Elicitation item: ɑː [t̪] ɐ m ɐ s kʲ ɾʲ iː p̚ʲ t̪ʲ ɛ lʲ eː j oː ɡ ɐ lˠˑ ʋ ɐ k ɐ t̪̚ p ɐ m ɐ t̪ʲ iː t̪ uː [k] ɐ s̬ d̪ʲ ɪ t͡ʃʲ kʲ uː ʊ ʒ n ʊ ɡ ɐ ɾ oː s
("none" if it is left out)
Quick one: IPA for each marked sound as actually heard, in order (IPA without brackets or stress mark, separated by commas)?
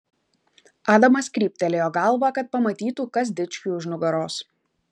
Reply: d̪, k